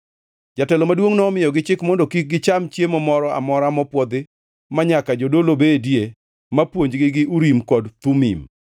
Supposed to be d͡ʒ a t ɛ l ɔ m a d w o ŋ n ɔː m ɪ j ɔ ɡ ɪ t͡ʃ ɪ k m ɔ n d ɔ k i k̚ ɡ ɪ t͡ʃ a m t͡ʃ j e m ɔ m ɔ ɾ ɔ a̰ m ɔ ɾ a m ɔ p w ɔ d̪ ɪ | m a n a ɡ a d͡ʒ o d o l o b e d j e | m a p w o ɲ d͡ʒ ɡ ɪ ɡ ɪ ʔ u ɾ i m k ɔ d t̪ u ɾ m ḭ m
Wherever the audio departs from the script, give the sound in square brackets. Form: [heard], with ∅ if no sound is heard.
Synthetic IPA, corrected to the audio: d͡ʒ a t ɛ l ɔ m a d w o ŋ n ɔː m ɪ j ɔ ɡ ɪ t͡ʃ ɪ k m ɔ n d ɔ k i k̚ ɡ ɪ t͡ʃ a m t͡ʃ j e m ɔ m ɔ ɾ ɔ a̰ m ɔ ɾ a m ɔ p w ɔ d̪ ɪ | m a [ɲ] a [k] a d͡ʒ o d o l o b e d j e | m a p w o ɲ d͡ʒ ɡ ɪ ɡ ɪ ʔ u ɾ i m k ɔ d t̪ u [∅] m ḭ m